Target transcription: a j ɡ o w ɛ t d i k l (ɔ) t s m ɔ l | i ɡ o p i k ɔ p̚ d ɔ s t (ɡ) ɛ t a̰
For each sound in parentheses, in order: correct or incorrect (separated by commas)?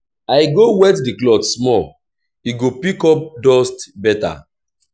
correct, incorrect